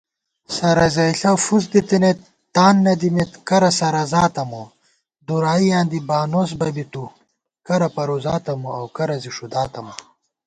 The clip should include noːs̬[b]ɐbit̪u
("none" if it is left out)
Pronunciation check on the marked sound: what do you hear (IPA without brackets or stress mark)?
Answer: b